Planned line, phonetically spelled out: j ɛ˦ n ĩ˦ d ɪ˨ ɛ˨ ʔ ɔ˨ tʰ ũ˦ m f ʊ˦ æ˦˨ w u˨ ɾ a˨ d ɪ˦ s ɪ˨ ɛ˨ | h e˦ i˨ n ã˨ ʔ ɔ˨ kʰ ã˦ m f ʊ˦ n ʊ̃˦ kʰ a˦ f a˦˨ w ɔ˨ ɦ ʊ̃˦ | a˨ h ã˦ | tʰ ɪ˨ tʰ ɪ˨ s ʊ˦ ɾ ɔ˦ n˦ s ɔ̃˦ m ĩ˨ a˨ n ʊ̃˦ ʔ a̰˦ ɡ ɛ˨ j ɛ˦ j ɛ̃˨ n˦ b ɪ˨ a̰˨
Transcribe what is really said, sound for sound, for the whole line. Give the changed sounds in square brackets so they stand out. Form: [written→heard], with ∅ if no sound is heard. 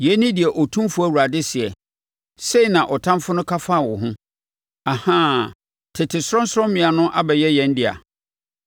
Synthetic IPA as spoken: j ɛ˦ n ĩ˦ d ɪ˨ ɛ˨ ʔ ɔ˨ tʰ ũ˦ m f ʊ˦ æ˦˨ w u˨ ɾ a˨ d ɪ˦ s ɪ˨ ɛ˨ | [h→s] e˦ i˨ n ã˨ ʔ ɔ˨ [kʰ→tʰ] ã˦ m f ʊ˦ n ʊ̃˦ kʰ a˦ f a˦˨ w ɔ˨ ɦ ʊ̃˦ | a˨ h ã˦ | tʰ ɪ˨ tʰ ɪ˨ s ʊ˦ ɾ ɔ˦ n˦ s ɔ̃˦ m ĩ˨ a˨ n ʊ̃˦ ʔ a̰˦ [ɡ→b] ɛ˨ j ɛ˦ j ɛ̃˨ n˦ [b→d] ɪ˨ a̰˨